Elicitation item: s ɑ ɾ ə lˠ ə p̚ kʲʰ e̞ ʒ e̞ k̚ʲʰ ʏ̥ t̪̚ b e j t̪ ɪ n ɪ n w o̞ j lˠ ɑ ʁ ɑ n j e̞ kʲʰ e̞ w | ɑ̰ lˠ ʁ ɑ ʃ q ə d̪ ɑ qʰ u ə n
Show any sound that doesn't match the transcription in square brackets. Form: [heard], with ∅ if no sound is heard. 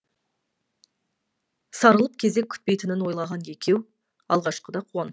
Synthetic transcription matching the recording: s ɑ ɾ ə lˠ ə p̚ kʲʰ e̞ [z] e̞ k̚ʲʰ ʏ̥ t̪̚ [p] e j t̪ ɪ n ɪ n w o̞ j lˠ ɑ ʁ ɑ n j e̞ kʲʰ e̞ w | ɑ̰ lˠ ʁ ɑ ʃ q ə d̪ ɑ qʰ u [ɑ] n